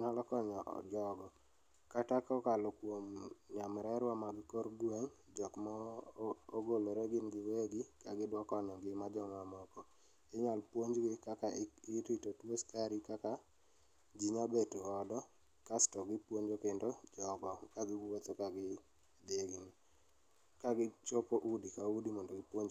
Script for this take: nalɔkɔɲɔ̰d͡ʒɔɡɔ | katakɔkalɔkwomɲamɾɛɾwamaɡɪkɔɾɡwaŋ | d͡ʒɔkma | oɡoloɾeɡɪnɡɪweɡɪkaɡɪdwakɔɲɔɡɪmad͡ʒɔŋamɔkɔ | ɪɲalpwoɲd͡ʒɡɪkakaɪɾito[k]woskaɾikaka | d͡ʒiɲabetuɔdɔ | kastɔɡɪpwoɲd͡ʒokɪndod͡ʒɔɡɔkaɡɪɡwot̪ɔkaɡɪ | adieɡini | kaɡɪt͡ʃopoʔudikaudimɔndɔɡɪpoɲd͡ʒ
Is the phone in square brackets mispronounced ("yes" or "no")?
yes